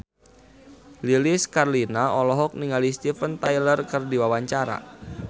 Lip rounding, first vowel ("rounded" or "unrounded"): unrounded